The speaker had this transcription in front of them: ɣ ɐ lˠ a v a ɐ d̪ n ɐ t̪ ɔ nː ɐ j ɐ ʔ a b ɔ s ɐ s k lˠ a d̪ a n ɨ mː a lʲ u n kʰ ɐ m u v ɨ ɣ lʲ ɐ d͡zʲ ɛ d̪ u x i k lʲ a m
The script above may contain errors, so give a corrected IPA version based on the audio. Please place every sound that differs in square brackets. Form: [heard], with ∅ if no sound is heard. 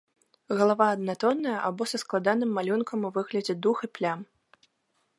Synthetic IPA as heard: ɣ ɐ lˠ a v a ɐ d̪ n [a] t̪ ɔ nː ɐ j ɐ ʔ a b ɔ s ɐ s k lˠ a d̪ a n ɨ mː a lʲ u n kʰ ɐ m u v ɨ ɣ lʲ ɐ d͡zʲ ɛ d̪ u x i [p] lʲ a m